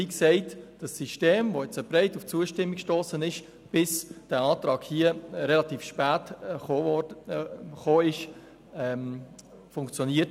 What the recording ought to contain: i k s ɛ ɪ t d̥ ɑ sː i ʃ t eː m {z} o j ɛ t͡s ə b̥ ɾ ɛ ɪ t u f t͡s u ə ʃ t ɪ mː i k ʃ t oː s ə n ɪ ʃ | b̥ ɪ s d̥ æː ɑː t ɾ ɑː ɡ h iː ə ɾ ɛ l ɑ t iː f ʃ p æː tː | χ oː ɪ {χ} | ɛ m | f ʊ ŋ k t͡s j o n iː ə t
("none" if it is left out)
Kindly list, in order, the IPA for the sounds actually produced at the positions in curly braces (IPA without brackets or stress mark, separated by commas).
v, ʃ